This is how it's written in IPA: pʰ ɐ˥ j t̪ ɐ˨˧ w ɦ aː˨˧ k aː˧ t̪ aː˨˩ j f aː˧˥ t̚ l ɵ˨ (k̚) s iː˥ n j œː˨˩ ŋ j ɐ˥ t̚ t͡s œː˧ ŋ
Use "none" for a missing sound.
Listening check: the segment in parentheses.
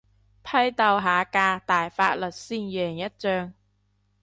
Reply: t̚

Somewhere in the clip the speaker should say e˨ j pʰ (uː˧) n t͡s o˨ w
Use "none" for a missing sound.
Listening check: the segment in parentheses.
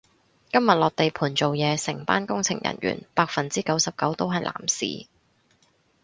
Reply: uː˨˩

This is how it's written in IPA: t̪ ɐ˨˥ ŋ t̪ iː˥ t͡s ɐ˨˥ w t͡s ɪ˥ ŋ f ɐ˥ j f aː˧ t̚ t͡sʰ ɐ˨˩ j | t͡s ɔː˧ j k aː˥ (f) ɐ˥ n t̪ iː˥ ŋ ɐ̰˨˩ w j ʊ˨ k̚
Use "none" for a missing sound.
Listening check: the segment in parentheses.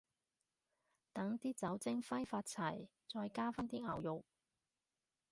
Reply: f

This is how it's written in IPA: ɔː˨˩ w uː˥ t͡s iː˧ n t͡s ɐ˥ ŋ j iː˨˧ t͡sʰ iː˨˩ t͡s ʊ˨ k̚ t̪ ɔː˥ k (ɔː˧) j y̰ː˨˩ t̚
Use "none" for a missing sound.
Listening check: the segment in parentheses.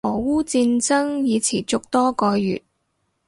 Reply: ɔː˧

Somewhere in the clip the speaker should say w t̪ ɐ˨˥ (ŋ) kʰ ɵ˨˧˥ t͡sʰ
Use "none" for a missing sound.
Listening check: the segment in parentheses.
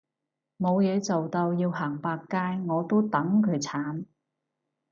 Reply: ŋ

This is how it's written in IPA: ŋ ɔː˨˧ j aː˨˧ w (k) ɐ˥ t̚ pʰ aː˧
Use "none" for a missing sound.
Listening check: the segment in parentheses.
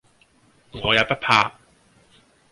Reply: p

